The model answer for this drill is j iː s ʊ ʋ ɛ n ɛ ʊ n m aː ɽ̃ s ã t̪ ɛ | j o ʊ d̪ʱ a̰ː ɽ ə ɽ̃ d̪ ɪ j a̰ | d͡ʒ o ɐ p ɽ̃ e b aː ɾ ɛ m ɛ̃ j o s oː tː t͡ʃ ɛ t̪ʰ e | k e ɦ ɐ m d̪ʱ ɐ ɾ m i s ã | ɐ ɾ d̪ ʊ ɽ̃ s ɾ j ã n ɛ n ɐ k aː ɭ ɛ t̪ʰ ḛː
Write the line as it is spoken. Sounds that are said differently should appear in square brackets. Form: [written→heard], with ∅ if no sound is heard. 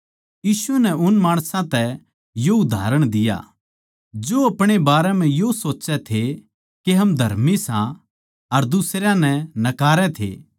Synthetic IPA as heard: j iː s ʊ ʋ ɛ n ɛ ʊ n m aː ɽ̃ s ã t̪ ɛ | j o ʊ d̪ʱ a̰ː [ɽ→ɾ] ə ɽ̃ d̪ ɪ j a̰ | d͡ʒ o ɐ p ɽ̃ e b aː ɾ ɛ m ɛ̃ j o s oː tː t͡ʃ ɛ t̪ʰ e | k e ɦ ɐ m d̪ʱ ɐ ɾ m i s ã | ɐ ɾ d̪ ʊ [ɽ̃→∅] s ɾ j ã n ɛ n ɐ k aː [ɭ→ɾ] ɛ t̪ʰ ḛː